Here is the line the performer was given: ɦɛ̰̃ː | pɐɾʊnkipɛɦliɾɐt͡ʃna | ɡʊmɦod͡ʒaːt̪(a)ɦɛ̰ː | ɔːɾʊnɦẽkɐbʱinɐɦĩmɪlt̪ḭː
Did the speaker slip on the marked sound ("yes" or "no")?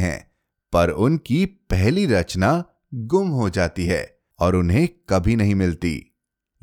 yes